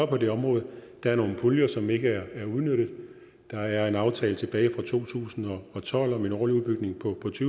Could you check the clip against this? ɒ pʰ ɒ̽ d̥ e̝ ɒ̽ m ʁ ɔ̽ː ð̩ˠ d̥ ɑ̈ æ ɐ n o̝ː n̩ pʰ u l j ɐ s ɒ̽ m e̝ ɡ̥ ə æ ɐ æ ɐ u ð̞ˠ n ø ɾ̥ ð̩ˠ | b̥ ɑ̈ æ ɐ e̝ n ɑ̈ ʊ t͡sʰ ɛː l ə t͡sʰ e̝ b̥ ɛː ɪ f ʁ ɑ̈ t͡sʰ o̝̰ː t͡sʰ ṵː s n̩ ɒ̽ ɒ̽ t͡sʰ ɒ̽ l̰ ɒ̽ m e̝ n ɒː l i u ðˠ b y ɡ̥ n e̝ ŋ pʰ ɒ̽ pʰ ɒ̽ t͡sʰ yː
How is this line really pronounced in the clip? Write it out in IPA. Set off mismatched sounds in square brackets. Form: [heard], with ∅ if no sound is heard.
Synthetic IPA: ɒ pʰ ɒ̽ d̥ e̝ ɒ̽ m ʁ ɔ̽ː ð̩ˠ d̥ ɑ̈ æ ɐ n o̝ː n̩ pʰ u l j ɐ s ɒ̽ m e̝ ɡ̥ ə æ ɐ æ ɐ u ð̞ˠ n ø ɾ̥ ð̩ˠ | [d̥] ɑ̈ æ ɐ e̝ n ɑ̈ ʊ t͡sʰ ɛː l ə t͡sʰ e̝ b̥ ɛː ɪ f ʁ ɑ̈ t͡sʰ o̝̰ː t͡sʰ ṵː s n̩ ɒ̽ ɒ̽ t͡sʰ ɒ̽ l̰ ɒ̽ m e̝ n ɒː l i u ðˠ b y ɡ̥ n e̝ ŋ pʰ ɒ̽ pʰ ɒ̽ t͡sʰ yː